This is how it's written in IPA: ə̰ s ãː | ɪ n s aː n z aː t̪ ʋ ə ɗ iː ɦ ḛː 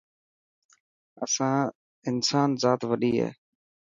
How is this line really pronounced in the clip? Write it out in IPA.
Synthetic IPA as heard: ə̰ s ãː | ɪ n s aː n z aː t̪ ʋ ə ɗ iː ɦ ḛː